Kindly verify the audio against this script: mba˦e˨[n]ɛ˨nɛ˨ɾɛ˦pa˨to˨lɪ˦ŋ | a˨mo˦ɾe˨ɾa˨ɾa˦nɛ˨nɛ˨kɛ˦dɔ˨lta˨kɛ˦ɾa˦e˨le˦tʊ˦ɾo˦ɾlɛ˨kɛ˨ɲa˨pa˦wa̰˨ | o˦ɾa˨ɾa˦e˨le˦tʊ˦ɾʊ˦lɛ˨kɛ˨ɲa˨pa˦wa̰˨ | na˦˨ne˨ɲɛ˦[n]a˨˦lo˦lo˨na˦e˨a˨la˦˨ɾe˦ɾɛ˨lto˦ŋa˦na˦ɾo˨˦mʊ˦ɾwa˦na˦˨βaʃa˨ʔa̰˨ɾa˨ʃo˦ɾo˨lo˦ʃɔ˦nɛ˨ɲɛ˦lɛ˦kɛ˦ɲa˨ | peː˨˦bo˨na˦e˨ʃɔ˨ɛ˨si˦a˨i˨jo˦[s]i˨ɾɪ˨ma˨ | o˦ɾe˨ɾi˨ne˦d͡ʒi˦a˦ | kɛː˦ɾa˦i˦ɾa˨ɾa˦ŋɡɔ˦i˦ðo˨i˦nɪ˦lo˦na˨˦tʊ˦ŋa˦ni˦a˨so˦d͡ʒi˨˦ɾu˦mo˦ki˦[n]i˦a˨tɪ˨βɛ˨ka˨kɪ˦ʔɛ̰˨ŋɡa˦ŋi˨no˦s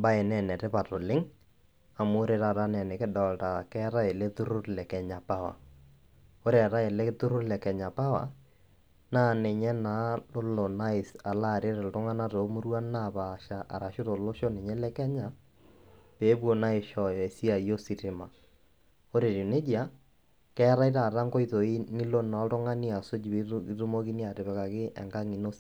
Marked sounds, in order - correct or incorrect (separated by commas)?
correct, correct, correct, correct